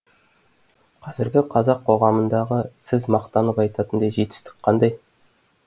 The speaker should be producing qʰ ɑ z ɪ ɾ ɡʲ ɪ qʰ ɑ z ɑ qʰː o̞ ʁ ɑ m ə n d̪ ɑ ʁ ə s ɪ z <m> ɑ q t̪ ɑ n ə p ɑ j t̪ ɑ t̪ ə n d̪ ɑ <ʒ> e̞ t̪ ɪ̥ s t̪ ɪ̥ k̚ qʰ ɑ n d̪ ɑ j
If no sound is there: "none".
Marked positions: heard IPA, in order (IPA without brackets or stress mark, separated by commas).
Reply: m, ʒ